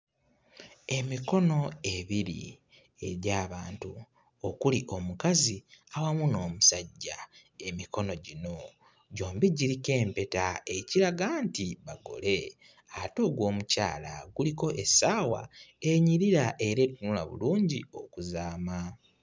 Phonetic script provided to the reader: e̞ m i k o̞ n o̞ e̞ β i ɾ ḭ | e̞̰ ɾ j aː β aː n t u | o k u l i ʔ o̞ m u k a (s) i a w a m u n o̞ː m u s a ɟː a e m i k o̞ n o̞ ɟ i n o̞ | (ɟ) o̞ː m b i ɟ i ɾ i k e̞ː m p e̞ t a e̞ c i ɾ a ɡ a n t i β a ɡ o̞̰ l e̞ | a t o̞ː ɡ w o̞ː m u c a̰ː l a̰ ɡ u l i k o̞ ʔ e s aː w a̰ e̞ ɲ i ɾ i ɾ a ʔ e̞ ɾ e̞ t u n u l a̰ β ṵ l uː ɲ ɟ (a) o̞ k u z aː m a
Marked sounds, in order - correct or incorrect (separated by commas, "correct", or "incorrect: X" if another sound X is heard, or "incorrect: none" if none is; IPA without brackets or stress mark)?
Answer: incorrect: z, correct, incorrect: i